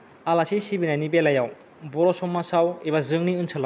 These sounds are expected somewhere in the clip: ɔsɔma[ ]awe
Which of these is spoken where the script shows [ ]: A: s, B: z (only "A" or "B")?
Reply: A